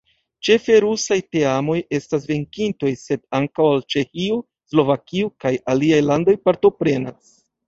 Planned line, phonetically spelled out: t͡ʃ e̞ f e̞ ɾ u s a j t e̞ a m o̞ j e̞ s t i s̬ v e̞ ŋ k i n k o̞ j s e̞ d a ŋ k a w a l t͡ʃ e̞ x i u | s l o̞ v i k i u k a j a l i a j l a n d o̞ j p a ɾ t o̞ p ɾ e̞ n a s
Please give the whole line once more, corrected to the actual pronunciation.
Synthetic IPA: t͡ʃ e̞ f e̞ ɾ u s a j t e̞ a m o̞ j e̞ s t a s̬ v e̞ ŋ k i n t o̞ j s e̞ d a ŋ k a w a l t͡ʃ e̞ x i u | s l o̞ v a k i u k a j a l i a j l a n d o̞ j p a ɾ t o̞ p ɾ e̞ n a s